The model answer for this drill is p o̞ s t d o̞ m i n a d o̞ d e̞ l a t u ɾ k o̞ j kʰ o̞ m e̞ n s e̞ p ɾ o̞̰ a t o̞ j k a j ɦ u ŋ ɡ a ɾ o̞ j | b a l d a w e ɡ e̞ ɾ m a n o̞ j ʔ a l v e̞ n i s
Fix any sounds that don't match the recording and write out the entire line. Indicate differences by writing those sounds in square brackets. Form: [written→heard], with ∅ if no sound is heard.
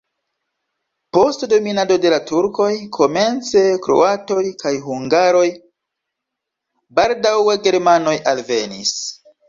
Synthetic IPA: p o̞ s t d o̞ m i n a d o̞ d e̞ l a t u ɾ k o̞ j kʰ o̞ m e̞ n [s→t͡s] e̞ [p→k] ɾ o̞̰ a t o̞ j k a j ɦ u ŋ ɡ a ɾ o̞ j | b a l d a w e ɡ e̞ ɾ m a n o̞ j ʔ a l v e̞ n i s